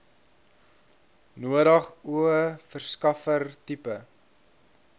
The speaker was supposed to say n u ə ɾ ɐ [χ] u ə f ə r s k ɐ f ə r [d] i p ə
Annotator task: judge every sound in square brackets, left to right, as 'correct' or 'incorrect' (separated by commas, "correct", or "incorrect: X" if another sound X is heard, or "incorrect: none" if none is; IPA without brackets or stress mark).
correct, incorrect: t